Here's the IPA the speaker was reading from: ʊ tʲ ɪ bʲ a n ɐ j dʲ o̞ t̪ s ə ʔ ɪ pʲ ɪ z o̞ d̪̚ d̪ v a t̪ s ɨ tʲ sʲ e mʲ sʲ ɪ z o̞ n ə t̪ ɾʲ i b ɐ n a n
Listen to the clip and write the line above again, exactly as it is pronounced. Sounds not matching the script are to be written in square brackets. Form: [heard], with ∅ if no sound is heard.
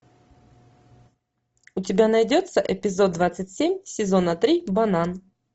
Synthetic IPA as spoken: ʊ tʲ ɪ bʲ a n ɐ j dʲ o̞ t̪ s ə ʔ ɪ pʲ ɪ z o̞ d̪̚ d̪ v a t̪ s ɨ tʲ sʲ e mʲ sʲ ɪ z o̞ n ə t̪ ɾʲ i b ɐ n a n